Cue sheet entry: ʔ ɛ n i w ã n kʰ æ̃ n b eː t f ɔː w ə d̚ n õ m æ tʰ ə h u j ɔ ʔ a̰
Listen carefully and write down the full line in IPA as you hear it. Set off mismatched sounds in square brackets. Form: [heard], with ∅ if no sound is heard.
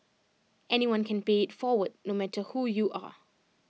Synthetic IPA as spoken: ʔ ɛ n i w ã n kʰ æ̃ n b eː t f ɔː w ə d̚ n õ m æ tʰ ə h u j [u] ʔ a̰